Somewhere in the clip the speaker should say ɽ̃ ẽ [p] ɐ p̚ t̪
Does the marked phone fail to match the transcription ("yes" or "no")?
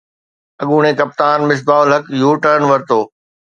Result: yes